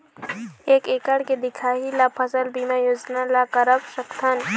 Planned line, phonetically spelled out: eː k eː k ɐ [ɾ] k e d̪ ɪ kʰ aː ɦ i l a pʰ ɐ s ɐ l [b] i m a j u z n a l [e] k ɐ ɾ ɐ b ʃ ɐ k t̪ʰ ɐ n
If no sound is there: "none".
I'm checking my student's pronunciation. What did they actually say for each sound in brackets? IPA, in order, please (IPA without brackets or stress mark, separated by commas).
ɽ, b, a